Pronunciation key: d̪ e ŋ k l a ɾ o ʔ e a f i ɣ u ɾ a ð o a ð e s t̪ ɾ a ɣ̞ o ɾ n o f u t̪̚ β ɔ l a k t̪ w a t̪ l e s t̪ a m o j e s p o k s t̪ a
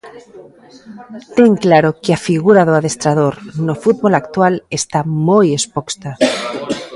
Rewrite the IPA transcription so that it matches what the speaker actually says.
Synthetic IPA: t̪ e ŋ k l a ɾ o k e a f i ɣ u ɾ a ð o a ð e s t̪ ɾ a ð̞ o ɾ n o f u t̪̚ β o l a k t̪ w a l e s t̪ a m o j e s p o k s t̪ a

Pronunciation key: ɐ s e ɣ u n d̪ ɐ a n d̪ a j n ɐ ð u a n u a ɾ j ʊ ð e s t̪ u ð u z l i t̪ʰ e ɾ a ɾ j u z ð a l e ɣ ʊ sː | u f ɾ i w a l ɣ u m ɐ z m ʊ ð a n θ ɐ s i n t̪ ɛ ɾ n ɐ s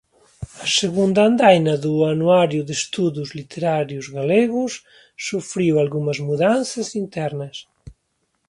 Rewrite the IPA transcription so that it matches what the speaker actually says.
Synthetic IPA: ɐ s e ɣ u n d̪ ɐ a n d̪ a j n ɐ ð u a n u a ɾ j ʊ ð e s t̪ u ð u z l i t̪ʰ e ɾ a ɾ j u z ɣ a l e ɣ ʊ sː | u f ɾ i w a l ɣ u m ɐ z m u ð a n θ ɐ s i n t̪ ɛ ɾ n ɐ s

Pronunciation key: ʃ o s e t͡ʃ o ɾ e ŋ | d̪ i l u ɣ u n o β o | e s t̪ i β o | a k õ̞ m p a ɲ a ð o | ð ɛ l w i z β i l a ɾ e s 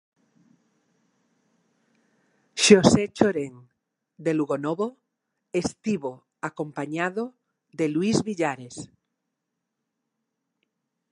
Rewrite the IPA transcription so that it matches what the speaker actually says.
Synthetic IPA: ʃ o s e t͡ʃ o ɾ e ŋ | d̪ e l u ɣ o n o β o | e s t̪ i β o | a k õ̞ m p a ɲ a ð o | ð e l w i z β i ʎ a ɾ e s

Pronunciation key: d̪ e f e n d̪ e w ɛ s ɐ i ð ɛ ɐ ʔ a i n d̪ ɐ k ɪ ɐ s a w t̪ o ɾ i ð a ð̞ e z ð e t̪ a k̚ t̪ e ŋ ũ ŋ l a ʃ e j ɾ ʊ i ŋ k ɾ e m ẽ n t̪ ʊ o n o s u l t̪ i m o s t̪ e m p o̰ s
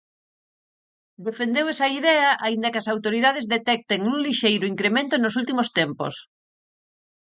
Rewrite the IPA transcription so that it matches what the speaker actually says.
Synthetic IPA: d̪ e f e n d̪ e w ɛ s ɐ i ð ɛ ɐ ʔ a i n d̪ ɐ k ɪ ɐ s a w t̪ o ɾ i ð a ð̞ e z ð e t̪ ɛ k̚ t̪ e ŋ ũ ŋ l i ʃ e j ɾ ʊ i ŋ k ɾ e m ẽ n t̪ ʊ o n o s u l t̪ i m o s t̪ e m p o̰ s

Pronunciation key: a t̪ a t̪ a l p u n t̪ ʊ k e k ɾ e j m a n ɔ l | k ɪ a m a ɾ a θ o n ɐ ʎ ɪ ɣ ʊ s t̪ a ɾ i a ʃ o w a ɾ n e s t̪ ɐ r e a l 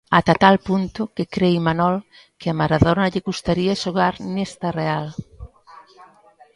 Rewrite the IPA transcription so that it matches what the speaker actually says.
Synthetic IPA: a t̪ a t̪ a l p u n t̪ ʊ k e k ɾ e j m a n ɔ l | k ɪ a m a ɾ a ð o n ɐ ʎ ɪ ɣ u s t̪ a ɾ i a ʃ o ɣ a ɾ n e s t̪ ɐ r e a l

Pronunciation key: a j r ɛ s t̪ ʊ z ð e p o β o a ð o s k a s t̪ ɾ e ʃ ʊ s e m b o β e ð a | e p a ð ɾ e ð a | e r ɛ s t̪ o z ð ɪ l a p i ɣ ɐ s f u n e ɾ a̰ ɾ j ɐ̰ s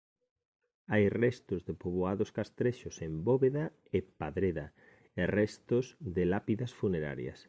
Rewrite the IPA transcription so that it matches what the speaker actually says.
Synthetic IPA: a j r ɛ s t̪ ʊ z ð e p o β o a ð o s k a s t̪ ɾ e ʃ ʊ s e m b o β e ð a | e p a ð ɾ e ð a | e r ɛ s t̪ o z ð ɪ l a p i ð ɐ s f u n e ɾ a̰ ɾ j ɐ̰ s

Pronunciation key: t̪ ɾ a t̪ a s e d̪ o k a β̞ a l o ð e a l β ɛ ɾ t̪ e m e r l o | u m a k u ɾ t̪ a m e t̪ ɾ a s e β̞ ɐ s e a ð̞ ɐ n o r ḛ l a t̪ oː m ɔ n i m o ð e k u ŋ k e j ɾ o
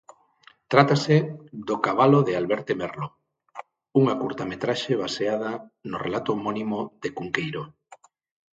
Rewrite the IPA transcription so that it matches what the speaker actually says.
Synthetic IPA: t̪ ɾ a t̪ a s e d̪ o k a β̞ a l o ð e a l β ɛ ɾ t̪ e m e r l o | u ŋ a k u ɾ t̪ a m e t̪ ɾ a ʃ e β̞ a s e a ð̞ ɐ n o r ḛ l a t̪ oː m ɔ n i m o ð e k u ŋ k e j ɾ o

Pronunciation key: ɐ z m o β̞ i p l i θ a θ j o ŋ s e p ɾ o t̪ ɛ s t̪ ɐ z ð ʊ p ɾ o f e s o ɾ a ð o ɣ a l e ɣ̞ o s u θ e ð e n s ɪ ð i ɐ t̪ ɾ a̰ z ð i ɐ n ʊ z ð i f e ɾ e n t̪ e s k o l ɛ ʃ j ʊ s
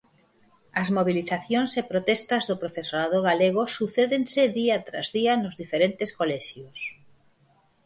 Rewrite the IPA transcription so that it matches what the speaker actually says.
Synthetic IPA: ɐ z m o β̞ i l i θ a θ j o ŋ s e p ɾ o t̪ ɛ s t̪ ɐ z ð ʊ p ɾ o f e s o ɾ a ð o ɣ a l e ɣ̞ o s u θ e ð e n s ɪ ð i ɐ t̪ ɾ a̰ z ð i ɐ n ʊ z ð i f e ɾ e n t̪ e s k o l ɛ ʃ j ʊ s

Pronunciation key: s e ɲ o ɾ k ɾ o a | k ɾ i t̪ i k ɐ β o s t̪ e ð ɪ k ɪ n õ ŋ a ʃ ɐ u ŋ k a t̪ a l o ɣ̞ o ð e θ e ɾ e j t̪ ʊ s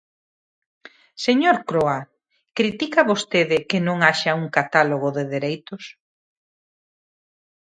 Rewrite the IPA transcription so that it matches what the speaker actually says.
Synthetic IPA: s e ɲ o ɾ k ɾ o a | k ɾ i t̪ i k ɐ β o s t̪ e ð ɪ k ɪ n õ ŋ a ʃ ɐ u ŋ k a t̪ a l o ɣ̞ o ð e ð e ɾ e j t̪ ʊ s

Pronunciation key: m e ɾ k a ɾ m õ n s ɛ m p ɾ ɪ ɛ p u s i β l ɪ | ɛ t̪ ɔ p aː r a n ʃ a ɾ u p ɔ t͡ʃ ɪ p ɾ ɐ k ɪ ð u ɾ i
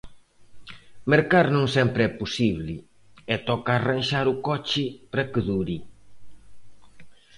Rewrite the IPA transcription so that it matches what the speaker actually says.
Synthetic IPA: m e ɾ k a ɾ n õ ŋ s ɛ m p ɾ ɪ ɛ p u s i β l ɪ | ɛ t̪ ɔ k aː r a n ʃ a ɾ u k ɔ t͡ʃ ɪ p ɾ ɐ k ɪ ð u ɾ i

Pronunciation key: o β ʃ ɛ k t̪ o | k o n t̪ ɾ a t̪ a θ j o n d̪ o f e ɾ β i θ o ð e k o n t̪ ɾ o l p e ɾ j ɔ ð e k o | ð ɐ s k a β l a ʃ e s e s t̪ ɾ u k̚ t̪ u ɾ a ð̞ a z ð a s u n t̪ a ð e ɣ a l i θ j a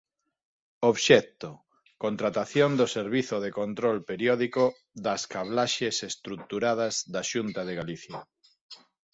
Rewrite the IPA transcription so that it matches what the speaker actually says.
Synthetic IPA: o β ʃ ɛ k t̪ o | k o n t̪ ɾ a t̪ a θ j o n d̪ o s e ɾ β i θ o ð e k o n t̪ ɾ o l p e ɾ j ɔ ð i k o | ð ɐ s k a β l a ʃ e s e s t̪ ɾ u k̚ t̪ u ɾ a ð̞ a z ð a ʃ u n t̪ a ð e ɣ a l i θ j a

